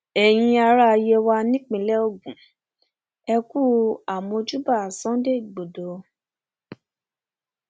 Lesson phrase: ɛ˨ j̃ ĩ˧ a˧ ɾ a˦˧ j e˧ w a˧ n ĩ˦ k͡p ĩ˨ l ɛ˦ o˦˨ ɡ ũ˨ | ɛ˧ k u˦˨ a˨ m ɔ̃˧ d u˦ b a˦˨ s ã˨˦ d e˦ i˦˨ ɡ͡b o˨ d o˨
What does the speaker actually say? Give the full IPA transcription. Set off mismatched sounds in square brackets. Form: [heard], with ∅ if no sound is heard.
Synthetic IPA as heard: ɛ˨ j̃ ĩ˧ a˧ ɾ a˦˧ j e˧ w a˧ n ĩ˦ k͡p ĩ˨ l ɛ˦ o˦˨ ɡ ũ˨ | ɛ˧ k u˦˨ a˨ m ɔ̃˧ [d͡ʒ] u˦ b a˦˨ s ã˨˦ d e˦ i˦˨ ɡ͡b o˨ d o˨